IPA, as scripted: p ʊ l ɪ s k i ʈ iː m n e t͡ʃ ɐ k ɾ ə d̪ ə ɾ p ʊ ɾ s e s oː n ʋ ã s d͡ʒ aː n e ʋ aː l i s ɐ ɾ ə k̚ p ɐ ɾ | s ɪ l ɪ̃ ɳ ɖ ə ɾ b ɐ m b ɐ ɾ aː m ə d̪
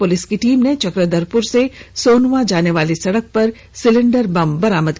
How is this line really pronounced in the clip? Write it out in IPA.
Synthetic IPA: p ʊ l ɪ s k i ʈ iː m n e t͡ʃ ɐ k ɾ ə d̪ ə ɾ p ʊ ɾ s e s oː n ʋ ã d͡ʒ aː n e ʋ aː l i s ɐ ɽ ə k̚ p ɐ ɾ | s ɪ l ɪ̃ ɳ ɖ ə ɾ b ɐ m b ɐ ɾ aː m ə d̪